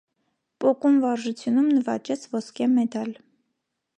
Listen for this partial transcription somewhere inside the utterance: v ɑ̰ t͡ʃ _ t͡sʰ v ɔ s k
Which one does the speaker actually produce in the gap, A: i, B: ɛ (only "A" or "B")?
B